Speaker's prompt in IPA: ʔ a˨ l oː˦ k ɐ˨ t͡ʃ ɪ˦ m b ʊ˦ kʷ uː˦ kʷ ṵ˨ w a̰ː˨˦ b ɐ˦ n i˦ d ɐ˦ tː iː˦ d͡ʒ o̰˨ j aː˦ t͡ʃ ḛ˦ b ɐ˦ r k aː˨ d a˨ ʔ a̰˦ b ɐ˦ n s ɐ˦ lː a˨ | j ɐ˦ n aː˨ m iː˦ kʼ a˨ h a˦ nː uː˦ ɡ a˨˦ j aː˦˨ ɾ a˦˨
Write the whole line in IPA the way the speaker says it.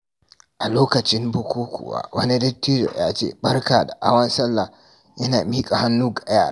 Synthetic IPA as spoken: ʔ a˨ l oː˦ k ɐ˨ t͡ʃ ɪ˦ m b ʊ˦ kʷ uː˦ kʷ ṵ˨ w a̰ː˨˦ w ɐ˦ n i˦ d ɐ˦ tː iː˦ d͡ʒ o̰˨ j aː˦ t͡ʃ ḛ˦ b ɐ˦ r k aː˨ d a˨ ʔ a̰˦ w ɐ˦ n s ɐ˦ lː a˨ | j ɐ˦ n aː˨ m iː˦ kʼ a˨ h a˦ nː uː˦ ɡ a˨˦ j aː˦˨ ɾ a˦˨